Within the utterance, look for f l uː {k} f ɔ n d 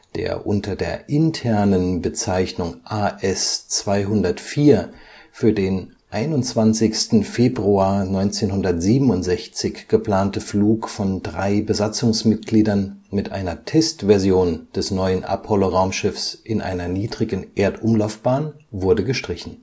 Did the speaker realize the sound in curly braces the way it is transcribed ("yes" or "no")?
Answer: yes